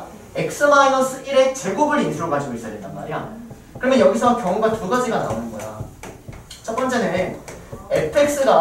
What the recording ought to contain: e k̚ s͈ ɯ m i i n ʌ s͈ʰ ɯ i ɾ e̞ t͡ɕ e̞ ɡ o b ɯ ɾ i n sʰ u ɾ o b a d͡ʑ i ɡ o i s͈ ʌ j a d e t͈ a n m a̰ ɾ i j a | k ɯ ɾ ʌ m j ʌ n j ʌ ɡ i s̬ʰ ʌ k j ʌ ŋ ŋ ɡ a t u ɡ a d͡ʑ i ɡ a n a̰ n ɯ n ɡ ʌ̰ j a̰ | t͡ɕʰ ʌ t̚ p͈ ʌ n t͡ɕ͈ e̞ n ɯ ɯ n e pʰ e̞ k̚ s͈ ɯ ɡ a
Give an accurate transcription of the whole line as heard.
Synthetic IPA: e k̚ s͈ ɯ m a i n ʌ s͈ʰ ɯ i ɾ e̞ t͡ɕ e̞ ɡ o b ɯ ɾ i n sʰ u ɾ o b a d͡ʑ i ɡ o i s͈ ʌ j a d e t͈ a n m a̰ ɾ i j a | k ɯ ɾ ʌ m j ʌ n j ʌ ɡ i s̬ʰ ʌ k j ʌ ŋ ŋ ɡ a t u ɡ a d͡ʑ i ɡ a n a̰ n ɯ n ɡ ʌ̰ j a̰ | t͡ɕʰ ʌ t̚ p͈ ʌ n t͡ɕ͈ e̞ n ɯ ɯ n e pʰ e̞ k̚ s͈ ɯ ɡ a